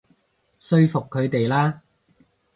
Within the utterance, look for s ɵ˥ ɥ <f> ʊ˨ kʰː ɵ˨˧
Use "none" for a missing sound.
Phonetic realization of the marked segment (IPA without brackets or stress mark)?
f